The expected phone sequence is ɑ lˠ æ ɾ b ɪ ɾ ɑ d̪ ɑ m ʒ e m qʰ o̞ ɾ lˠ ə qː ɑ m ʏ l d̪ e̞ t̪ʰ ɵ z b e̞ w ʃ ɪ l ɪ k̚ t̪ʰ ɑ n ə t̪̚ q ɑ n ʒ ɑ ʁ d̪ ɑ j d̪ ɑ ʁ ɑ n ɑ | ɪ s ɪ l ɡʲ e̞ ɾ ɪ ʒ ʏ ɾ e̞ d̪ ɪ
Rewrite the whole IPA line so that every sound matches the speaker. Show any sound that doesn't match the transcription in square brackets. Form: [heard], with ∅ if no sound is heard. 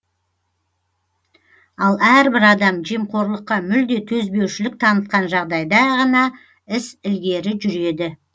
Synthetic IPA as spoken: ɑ lˠ æ ɾ b ɪ ɾ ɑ d̪ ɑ m ʒ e m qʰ o̞ ɾ lˠ ə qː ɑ m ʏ l d̪ e̞ t̪ʰ ɵ z b e̞ w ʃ ɪ l ɪ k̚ t̪ʰ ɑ n ə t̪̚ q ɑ n ʒ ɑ ʁ d̪ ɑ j d̪ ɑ ʁ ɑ n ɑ | ɪ s ɪ l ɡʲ e̞ ɾ ɪ ʒ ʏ ɾ e̞ d̪ ɪ